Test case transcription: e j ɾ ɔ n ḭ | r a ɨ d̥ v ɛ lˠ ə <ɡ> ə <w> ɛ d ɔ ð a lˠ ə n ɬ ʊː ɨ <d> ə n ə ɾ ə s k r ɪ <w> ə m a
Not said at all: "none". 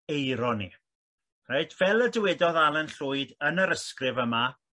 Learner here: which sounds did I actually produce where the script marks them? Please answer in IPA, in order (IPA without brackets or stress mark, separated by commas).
d, w, d, v